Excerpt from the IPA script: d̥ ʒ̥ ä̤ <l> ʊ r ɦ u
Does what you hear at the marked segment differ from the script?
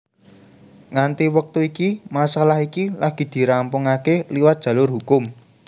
no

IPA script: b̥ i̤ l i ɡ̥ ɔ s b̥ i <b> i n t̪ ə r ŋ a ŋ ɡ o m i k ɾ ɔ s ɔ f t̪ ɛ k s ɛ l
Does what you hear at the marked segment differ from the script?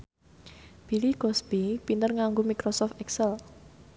yes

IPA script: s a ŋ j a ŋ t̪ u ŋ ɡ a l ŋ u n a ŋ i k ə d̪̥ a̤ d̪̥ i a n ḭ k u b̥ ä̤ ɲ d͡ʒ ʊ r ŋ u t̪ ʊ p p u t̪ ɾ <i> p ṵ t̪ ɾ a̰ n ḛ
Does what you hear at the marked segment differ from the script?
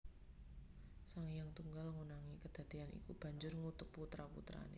yes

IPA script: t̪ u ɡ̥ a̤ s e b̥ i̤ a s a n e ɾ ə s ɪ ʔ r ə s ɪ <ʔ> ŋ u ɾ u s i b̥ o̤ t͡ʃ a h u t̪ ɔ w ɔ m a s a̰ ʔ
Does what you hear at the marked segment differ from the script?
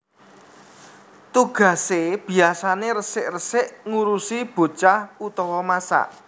no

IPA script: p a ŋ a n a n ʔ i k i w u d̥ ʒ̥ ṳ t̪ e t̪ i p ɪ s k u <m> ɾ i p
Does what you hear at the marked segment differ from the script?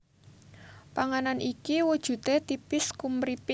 no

